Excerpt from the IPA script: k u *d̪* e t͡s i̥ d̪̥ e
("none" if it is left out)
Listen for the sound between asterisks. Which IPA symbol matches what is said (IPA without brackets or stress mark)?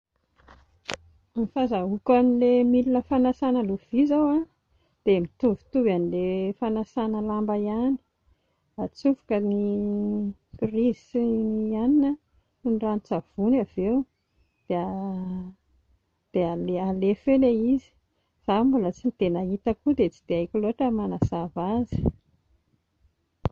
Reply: d̪